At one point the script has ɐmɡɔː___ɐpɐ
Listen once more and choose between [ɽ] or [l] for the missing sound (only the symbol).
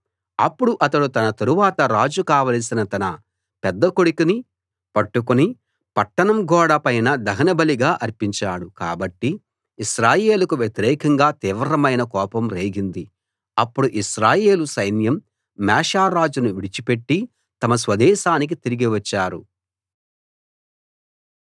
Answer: ɽ